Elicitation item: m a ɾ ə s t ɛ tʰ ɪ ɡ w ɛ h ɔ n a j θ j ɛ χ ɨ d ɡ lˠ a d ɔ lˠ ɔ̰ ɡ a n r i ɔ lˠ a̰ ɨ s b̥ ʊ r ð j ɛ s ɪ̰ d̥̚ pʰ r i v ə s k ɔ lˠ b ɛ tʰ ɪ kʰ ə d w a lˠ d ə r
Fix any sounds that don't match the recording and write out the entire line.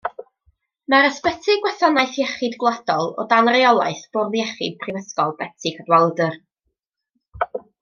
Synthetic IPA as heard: m a ɾ ə s p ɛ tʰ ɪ ɡ w ɛ θ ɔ n a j θ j ɛ χ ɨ d ɡ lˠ a d ɔ lˠ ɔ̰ d a n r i ɔ lˠ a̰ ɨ θ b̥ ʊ r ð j ɛ χ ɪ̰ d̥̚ pʰ r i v ə s k ɔ lˠ b ɛ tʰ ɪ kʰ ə d w a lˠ d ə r